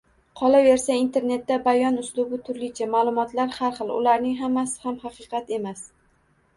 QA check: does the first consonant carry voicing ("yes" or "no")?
no